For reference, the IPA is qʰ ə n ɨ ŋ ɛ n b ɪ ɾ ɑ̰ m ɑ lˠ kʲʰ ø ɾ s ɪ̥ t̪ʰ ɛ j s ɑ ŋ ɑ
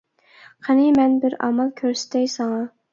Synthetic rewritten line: qʰ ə n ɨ m ɛ n b ɪ ɾ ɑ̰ m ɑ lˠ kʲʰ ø ɾ s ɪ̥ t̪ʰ ɛ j s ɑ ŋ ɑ